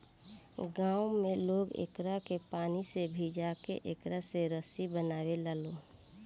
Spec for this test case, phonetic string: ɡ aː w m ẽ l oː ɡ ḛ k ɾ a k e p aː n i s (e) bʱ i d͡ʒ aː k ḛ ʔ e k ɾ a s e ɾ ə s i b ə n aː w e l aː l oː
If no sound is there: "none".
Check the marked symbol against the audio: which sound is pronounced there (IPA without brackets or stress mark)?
e